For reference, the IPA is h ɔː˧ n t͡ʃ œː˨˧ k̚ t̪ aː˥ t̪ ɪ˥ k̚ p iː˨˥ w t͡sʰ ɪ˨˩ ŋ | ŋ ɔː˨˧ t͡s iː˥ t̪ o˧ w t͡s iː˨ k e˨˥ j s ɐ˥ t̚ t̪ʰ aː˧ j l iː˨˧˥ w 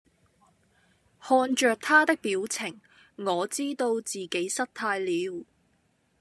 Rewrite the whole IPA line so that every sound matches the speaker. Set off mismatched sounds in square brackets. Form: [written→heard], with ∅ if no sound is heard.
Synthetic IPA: h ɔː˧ n t͡ʃ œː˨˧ k̚ [t̪→t̪ʰ] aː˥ t̪ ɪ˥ k̚ p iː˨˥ w t͡sʰ ɪ˨˩ ŋ | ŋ ɔː˨˧ t͡s iː˥ t̪ o˧ w t͡s iː˨ k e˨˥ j s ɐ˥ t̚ t̪ʰ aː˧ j l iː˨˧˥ w